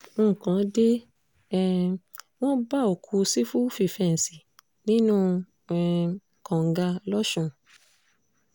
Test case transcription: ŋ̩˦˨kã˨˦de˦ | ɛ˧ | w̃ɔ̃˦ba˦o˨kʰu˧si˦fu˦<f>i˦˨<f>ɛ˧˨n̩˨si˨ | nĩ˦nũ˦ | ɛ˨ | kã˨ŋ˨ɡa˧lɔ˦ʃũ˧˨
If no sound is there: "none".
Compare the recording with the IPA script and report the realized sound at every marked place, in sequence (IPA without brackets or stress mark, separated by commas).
f, f